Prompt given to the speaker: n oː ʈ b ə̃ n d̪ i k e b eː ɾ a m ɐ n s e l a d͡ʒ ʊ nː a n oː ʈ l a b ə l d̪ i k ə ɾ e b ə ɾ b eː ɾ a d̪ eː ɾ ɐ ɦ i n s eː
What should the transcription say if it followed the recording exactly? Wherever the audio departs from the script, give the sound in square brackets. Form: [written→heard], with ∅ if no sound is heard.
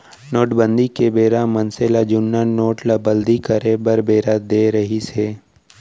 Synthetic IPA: n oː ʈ b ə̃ n d̪ i k e b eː ɾ a m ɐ n s e l a d͡ʒ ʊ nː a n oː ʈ l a b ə l d̪ i k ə ɾ e b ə ɾ b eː ɾ a d̪ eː ɾ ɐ ɦ i [n→∅] s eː